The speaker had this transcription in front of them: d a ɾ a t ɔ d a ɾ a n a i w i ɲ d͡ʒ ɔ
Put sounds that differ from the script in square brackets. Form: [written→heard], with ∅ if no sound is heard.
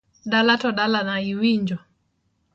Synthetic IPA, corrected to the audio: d a [ɾ→l] a t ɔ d a [ɾ→l] a n a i w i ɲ d͡ʒ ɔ